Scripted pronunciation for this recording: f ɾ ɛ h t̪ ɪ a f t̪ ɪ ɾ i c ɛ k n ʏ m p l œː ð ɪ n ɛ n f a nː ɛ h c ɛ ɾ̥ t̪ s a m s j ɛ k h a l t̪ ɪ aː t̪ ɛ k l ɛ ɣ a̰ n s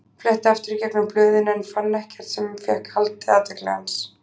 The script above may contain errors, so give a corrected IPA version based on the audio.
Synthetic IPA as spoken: f l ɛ h t̪ ɪ a f t̪ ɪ ɾ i c ɛ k n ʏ m p l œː ð ɪ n ɛ n f a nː ɛ h c ɛ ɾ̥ t̪ s ɛ m f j ɛ k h a l t̪ ɪ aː t̪ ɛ k l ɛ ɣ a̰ n s